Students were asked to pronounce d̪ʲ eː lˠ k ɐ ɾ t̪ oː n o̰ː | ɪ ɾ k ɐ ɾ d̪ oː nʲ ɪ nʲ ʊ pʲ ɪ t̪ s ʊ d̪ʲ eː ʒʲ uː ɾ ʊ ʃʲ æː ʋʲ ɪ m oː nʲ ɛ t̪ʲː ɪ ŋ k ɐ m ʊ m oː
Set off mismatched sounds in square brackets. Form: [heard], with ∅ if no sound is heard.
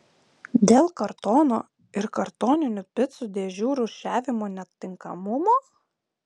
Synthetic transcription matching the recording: d̪ʲ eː lˠ k ɐ ɾ t̪ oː n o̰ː | ɪ ɾ k ɐ ɾ [t̪] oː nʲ ɪ nʲ ʊ pʲ ɪ t̪ s ʊ d̪ʲ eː ʒʲ uː ɾ ʊ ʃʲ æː ʋʲ ɪ m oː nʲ ɛ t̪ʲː ɪ ŋ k ɐ m ʊ m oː